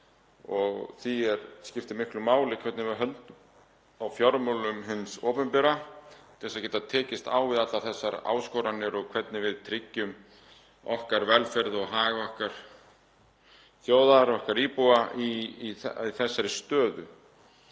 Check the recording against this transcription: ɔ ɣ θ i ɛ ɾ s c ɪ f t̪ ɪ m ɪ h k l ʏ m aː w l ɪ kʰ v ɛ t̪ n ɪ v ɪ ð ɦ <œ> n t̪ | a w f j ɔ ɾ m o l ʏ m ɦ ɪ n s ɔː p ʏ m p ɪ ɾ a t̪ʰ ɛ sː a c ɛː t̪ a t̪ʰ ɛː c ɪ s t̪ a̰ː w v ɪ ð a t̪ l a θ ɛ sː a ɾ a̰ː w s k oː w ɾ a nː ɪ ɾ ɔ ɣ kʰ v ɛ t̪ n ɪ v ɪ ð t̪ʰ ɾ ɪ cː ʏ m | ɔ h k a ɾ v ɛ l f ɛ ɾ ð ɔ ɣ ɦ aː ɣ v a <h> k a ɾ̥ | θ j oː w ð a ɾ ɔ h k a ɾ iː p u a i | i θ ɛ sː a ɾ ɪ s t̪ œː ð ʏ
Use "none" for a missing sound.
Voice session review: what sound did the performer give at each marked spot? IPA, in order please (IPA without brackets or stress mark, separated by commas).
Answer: œ, h